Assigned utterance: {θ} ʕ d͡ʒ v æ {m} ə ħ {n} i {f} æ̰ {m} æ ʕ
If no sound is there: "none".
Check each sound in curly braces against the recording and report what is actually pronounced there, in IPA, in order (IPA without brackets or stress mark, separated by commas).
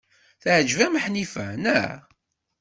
θ, m, n, f, n